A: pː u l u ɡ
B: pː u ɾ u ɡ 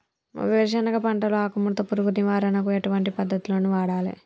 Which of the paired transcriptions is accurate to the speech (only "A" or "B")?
B